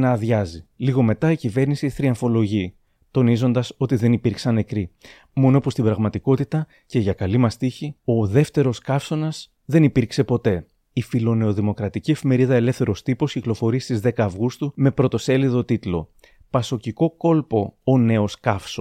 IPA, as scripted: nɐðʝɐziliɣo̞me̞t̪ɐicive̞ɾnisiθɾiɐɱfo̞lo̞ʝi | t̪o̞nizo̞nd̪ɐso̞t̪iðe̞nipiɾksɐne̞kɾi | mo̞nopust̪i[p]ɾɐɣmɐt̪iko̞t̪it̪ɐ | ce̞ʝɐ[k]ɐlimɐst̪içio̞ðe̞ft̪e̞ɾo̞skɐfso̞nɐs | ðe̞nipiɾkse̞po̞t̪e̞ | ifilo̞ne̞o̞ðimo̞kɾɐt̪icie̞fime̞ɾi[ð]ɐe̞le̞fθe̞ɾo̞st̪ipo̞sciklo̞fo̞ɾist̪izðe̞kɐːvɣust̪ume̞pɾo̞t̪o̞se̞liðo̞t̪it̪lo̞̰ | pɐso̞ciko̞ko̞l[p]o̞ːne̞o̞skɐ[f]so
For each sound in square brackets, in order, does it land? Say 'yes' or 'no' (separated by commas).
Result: no, yes, yes, yes, yes